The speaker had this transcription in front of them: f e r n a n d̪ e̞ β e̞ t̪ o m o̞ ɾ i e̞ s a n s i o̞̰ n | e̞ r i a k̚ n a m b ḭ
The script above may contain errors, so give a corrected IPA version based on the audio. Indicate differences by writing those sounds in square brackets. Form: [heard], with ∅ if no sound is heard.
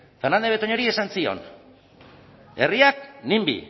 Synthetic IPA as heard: f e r n a n d̪ e̞ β e̞ t̪ o [ɲ] o̞ ɾ i e̞ s a n s i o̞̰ n | e̞ r i a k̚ n [i] m b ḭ